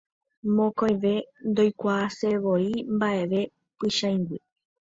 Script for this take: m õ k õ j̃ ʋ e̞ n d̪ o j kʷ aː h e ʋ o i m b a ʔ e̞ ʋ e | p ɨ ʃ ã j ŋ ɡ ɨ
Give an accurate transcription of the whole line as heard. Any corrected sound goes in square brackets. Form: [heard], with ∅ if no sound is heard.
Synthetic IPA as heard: m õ k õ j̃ ʋ e̞ n d̪ o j kʷ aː [s] e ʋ o i m b a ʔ e̞ ʋ e | p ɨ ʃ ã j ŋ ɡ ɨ